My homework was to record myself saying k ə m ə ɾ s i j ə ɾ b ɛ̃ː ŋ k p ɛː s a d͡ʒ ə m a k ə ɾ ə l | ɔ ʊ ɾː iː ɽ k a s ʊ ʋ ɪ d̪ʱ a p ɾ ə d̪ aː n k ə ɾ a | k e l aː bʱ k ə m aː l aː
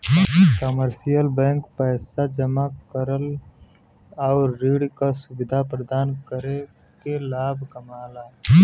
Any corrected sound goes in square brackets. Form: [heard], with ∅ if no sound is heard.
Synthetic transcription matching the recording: k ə m ə ɾ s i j ə [l] b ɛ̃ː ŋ k p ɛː s a d͡ʒ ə m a k ə ɾ ə l | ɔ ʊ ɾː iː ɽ k a s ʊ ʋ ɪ d̪ʱ a p ɾ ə d̪ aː n k ə ɾ [e] | k e l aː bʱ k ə m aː l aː